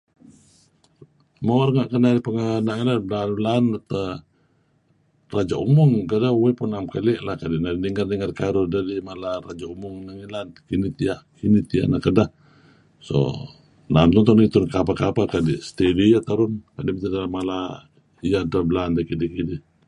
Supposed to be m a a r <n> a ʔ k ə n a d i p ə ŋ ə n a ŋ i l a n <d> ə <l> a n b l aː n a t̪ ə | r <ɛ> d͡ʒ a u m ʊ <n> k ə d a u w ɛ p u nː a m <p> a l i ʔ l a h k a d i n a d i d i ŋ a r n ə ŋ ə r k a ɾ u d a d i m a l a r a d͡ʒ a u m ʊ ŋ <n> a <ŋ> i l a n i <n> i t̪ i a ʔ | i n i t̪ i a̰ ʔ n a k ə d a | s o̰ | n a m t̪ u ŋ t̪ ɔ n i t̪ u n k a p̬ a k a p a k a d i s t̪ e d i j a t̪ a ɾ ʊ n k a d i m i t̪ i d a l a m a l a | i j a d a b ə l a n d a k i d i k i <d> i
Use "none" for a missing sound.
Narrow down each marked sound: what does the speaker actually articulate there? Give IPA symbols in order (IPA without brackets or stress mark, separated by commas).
ŋ, b, l, a, ŋ, k, n, ŋ, n, d